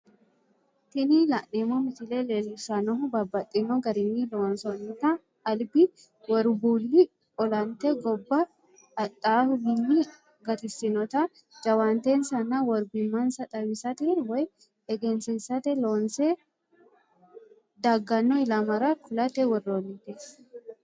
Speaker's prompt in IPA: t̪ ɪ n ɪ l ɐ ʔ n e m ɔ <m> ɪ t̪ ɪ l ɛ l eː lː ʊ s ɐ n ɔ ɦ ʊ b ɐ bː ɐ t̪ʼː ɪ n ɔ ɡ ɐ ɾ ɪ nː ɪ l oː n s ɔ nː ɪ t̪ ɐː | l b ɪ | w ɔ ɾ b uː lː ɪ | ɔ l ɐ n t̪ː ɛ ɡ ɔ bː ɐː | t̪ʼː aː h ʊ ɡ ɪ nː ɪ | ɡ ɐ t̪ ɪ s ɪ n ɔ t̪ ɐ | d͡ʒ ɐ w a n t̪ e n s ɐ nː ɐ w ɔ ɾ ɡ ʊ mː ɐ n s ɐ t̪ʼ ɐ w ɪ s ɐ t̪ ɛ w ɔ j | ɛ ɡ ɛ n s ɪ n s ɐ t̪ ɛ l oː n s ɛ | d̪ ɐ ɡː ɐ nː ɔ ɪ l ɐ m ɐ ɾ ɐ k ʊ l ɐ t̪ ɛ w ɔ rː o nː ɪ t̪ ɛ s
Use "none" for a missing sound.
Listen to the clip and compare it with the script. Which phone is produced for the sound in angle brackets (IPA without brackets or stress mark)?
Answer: m